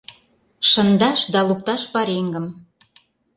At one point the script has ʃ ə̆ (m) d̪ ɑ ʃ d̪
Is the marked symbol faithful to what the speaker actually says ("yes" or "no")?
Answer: no